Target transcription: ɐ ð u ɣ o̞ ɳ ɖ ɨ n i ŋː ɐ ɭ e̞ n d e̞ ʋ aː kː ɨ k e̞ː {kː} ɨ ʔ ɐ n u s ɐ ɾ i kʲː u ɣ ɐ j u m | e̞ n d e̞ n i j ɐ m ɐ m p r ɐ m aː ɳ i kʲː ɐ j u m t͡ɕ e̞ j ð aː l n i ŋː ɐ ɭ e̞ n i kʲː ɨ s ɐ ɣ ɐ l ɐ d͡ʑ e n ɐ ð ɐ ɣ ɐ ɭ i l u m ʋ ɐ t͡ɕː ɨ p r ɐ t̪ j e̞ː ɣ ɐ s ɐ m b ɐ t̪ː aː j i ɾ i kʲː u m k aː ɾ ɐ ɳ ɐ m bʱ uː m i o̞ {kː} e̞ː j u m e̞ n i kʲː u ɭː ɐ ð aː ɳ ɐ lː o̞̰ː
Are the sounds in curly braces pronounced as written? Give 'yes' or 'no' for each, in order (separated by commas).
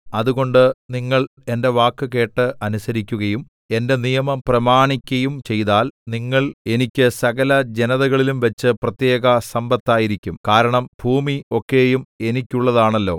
no, yes